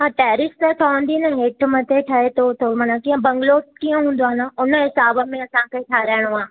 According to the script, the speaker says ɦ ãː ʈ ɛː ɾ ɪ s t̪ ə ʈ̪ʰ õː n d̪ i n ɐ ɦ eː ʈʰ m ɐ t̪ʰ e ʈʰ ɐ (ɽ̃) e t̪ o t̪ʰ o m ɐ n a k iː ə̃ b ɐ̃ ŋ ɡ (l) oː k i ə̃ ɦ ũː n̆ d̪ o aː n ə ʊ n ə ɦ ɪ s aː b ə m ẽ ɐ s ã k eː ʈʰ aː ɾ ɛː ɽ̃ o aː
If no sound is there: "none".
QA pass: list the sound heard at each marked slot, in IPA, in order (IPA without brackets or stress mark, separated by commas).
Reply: none, l